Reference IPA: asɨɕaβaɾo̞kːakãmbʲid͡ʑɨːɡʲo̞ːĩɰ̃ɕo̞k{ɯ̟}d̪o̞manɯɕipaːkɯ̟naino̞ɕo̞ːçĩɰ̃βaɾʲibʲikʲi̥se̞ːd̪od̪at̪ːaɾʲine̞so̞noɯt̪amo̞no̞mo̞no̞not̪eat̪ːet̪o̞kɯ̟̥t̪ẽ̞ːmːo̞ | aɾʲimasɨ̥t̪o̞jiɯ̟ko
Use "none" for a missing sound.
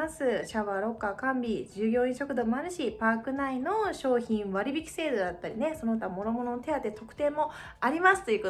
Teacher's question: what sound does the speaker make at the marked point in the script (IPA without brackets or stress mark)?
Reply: ɯ̟